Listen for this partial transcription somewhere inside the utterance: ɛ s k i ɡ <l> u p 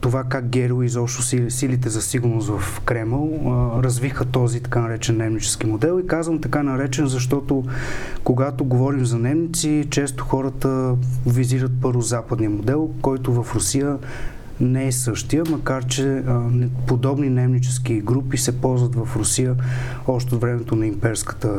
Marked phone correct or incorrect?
incorrect